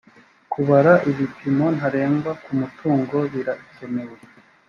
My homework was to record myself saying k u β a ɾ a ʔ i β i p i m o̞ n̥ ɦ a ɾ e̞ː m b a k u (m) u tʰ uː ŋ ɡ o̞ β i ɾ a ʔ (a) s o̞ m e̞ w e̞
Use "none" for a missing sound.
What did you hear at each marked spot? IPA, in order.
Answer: m, i

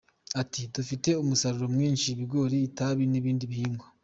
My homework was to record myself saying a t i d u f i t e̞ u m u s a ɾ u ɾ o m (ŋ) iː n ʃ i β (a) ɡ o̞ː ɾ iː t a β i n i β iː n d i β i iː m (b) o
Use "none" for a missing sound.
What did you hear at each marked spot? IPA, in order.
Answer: ŋ, i, ɡ

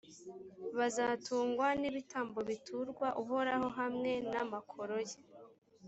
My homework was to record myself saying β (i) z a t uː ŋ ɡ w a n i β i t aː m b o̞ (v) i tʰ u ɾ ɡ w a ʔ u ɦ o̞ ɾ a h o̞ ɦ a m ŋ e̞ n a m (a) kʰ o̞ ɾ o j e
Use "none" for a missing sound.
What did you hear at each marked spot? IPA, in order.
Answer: a, β, a

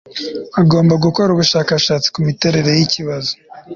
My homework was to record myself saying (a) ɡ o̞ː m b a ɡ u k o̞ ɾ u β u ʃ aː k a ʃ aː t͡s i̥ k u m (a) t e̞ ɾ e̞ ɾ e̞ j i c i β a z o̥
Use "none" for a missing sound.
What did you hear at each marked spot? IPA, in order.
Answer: a, i

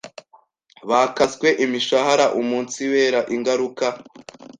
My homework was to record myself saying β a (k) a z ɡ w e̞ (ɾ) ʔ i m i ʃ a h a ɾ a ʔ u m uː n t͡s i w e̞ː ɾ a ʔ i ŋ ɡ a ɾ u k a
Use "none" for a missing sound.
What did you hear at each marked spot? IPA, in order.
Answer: k, none

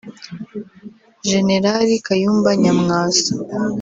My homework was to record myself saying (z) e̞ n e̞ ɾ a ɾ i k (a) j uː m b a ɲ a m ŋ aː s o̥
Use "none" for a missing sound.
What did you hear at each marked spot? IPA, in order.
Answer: ʒ, a

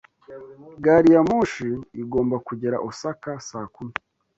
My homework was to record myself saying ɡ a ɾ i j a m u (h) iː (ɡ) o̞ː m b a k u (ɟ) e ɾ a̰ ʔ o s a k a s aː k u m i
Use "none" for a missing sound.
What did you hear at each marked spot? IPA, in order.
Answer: ʃ, ɡ, ɟ

